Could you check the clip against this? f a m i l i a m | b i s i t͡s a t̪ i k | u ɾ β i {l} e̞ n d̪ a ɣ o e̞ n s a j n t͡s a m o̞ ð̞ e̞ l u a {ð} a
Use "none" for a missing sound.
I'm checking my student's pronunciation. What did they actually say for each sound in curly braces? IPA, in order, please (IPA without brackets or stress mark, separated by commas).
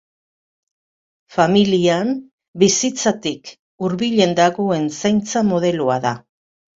ʎ, ð